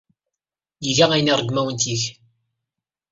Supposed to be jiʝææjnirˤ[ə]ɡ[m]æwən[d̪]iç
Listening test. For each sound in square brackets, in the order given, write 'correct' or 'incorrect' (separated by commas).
correct, correct, incorrect